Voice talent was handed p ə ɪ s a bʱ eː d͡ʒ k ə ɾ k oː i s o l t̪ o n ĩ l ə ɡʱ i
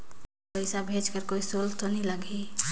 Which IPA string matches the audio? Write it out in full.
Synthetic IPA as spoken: p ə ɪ s a bʱ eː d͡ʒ k ə ɾ k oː i s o l t̪ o n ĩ l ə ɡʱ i